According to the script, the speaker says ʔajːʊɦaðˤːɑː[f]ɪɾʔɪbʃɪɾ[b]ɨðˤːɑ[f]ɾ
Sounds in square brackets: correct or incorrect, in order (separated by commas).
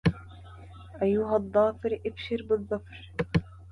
correct, correct, correct